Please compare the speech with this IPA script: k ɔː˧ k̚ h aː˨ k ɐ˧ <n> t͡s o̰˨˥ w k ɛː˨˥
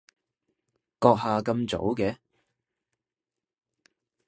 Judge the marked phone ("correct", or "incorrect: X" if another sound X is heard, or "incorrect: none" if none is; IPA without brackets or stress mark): incorrect: m